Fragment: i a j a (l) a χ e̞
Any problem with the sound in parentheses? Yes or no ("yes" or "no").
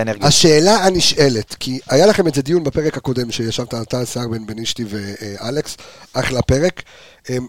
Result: no